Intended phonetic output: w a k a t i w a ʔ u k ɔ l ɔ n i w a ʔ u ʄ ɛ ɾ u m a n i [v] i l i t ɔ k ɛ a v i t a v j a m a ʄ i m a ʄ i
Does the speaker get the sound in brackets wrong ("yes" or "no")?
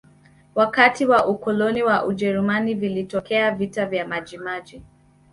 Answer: no